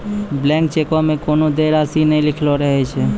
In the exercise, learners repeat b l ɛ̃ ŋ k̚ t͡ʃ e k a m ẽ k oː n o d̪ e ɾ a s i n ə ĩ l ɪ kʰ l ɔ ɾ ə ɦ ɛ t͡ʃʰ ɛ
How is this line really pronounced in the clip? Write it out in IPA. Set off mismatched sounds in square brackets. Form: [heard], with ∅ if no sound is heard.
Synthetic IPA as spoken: b l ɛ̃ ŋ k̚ t͡ʃ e k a m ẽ k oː n o d̪ e ɾ a s i n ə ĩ l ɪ kʰ l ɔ ɾ ə ɦ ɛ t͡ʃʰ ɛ